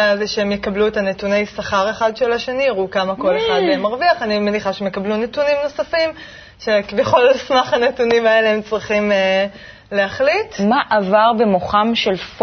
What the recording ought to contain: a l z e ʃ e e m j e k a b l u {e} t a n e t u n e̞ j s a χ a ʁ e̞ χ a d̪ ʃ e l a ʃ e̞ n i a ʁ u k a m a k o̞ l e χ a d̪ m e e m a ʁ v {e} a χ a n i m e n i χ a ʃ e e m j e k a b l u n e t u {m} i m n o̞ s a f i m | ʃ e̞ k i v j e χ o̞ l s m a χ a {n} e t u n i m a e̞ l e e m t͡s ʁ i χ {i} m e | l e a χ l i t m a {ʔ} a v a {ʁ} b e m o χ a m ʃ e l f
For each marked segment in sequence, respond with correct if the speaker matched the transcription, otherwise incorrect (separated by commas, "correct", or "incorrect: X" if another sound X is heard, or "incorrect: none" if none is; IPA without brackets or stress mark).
correct, incorrect: i, incorrect: n, correct, correct, correct, correct